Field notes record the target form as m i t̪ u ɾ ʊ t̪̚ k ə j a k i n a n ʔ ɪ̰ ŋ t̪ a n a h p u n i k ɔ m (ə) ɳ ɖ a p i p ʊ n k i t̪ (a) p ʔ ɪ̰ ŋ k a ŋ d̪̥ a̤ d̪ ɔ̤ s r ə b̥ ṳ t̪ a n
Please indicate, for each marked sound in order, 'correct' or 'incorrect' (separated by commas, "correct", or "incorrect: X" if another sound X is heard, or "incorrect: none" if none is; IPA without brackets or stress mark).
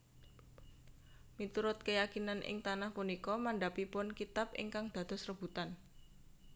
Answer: incorrect: a, correct